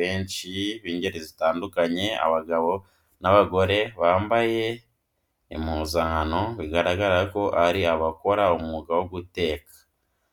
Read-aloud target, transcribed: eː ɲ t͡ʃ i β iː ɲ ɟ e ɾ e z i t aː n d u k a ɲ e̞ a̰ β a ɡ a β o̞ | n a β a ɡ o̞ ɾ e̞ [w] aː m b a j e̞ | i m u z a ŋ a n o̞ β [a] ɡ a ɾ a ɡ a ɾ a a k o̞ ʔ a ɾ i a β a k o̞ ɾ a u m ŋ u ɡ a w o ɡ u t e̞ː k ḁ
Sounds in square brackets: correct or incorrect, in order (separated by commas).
incorrect, incorrect